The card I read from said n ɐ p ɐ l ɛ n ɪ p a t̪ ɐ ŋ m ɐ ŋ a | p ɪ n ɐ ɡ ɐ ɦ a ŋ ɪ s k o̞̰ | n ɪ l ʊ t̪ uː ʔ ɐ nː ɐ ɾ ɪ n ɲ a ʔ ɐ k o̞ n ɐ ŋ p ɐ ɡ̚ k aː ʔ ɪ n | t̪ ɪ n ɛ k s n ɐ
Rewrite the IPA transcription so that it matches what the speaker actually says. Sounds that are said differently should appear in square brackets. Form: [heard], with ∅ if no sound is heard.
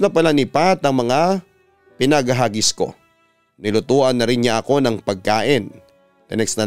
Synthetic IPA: n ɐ p ɐ l [a] n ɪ p a t̪ ɐ ŋ m ɐ ŋ a | p ɪ n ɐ ɡ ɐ ɦ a [ɡ] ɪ s k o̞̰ | n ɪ l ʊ t̪ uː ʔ ɐ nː ɐ ɾ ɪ n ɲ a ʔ ɐ k o̞ n ɐ ŋ p ɐ ɡ̚ k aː ʔ ɪ n | t̪ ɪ n ɛ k s n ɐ